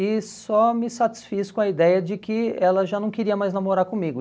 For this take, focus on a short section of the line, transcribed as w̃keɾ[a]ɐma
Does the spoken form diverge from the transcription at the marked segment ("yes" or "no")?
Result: yes